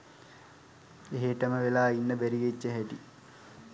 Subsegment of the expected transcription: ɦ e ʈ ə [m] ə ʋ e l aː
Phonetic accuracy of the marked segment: correct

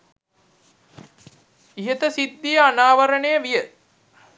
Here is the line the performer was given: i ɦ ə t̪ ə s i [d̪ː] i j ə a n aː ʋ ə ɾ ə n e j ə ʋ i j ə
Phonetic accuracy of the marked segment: correct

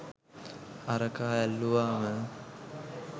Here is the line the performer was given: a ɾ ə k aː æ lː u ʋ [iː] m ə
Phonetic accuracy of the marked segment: incorrect: aː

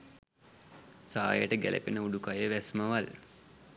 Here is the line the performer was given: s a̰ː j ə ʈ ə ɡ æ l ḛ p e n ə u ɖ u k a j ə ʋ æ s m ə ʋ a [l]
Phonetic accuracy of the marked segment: correct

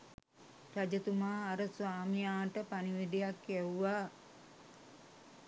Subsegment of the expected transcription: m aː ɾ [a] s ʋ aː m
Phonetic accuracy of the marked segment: incorrect: ə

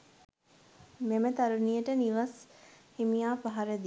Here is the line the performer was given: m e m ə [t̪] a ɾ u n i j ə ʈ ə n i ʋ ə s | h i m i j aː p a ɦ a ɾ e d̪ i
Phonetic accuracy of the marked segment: correct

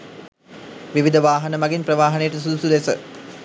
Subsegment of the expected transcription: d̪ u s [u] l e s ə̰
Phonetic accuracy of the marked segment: correct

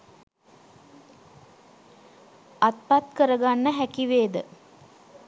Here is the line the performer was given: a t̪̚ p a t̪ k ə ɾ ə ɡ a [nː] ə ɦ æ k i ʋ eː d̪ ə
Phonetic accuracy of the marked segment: correct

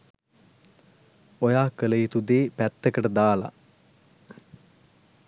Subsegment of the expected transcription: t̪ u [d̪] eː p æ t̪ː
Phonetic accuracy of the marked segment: correct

